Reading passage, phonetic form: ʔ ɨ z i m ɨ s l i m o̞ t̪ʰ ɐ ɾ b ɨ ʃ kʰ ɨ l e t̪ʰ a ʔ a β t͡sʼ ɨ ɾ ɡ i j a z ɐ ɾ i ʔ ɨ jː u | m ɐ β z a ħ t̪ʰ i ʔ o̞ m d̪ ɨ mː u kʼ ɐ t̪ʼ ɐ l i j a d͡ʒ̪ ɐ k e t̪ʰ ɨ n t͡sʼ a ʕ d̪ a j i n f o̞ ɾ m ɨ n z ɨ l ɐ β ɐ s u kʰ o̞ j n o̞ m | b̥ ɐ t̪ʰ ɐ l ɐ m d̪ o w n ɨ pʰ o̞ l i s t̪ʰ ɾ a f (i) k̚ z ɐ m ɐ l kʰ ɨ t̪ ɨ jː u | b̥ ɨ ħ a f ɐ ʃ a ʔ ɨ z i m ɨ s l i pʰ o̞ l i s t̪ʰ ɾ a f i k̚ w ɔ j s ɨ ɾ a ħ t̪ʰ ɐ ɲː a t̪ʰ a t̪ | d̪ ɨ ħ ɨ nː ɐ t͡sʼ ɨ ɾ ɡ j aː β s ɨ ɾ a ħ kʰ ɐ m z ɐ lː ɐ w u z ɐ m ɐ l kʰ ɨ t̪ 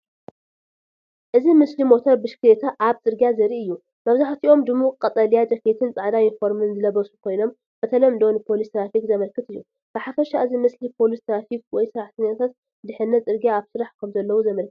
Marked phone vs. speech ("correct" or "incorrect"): correct